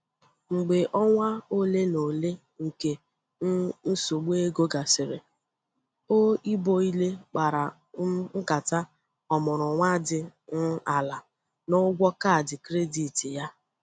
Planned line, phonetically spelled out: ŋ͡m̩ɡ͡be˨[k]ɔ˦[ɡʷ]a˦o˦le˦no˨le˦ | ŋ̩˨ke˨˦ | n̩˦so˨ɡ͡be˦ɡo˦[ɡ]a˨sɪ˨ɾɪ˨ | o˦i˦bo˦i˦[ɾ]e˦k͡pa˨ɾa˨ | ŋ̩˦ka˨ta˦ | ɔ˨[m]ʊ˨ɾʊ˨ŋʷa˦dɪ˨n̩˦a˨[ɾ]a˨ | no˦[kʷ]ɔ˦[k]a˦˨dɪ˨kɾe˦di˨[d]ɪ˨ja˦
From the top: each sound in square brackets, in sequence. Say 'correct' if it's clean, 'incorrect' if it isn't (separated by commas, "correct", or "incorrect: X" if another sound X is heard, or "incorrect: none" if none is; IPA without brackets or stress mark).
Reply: incorrect: ʔ, incorrect: ŋʷ, correct, incorrect: l, correct, incorrect: l, incorrect: ɡʷ, correct, incorrect: t